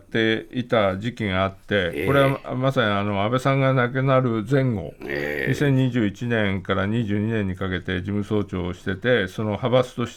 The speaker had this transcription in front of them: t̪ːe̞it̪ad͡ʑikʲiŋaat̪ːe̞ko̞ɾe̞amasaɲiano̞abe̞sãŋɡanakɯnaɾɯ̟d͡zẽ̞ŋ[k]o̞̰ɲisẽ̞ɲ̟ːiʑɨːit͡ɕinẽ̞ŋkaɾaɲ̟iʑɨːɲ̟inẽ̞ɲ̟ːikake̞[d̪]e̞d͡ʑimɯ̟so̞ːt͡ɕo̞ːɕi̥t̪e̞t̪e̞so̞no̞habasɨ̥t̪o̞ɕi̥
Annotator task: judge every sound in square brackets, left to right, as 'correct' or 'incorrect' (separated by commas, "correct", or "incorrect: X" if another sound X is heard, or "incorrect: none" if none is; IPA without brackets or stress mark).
incorrect: ɡ, incorrect: t̪